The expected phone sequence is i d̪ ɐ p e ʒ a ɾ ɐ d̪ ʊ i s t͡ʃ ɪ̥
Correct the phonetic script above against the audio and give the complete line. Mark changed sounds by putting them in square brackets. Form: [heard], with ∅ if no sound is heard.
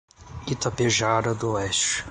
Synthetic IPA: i [t̪] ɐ p e ʒ a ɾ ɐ d̪ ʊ [ɛ] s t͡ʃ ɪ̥